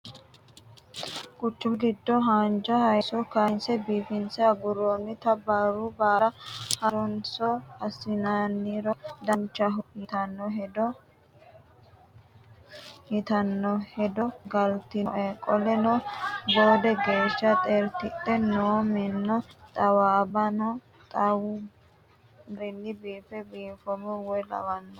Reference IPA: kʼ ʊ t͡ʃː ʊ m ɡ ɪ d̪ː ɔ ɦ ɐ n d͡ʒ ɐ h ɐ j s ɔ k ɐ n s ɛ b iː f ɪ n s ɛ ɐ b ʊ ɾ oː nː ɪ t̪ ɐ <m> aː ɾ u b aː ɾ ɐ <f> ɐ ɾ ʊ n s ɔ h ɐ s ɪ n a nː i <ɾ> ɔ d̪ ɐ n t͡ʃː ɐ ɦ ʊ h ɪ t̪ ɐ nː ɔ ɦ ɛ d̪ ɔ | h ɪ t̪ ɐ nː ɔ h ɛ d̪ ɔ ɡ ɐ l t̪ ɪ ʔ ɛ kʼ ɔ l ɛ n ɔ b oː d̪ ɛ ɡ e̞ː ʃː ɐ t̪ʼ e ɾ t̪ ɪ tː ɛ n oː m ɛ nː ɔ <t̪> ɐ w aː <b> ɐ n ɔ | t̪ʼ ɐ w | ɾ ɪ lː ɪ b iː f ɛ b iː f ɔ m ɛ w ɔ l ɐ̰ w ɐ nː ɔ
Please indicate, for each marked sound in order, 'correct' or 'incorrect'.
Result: incorrect, incorrect, correct, incorrect, correct

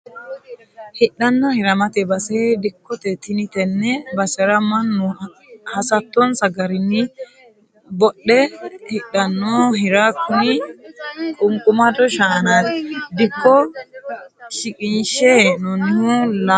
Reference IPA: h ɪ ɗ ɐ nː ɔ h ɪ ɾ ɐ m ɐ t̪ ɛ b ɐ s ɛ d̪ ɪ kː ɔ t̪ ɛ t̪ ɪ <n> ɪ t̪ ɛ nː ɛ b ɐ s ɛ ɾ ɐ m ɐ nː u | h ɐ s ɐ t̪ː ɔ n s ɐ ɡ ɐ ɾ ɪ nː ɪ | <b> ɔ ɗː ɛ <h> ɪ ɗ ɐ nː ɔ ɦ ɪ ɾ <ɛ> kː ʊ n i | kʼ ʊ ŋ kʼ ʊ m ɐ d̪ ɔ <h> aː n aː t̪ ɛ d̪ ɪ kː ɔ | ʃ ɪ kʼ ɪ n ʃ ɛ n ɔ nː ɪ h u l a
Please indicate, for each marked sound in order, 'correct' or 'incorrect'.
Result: correct, correct, correct, incorrect, incorrect

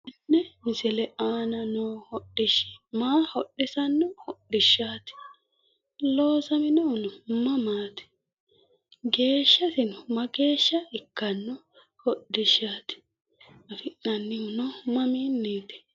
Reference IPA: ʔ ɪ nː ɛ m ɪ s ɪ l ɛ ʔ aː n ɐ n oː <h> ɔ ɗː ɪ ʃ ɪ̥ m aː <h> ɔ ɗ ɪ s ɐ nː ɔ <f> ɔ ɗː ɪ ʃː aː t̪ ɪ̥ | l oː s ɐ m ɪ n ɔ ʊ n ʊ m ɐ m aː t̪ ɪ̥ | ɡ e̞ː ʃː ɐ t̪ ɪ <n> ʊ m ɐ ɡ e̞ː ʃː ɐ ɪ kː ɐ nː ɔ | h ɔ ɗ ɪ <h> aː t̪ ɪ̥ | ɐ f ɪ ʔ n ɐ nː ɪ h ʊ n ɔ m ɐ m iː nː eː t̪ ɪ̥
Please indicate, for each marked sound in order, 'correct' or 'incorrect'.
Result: correct, correct, incorrect, correct, incorrect

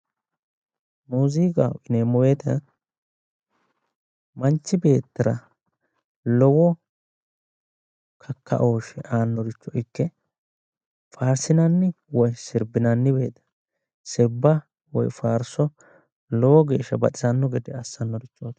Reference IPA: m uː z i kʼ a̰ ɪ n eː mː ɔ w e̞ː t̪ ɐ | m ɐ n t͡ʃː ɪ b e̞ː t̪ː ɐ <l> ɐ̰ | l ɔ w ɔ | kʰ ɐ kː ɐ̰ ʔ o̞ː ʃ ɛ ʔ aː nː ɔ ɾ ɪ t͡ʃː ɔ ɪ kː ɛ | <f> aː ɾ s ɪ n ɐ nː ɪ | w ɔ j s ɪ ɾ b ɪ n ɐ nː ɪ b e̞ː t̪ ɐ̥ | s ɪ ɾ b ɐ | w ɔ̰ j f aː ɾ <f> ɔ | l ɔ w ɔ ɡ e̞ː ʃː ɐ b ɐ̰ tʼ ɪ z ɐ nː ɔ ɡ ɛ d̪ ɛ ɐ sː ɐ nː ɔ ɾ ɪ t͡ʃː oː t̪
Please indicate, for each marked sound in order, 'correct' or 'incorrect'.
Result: incorrect, correct, incorrect

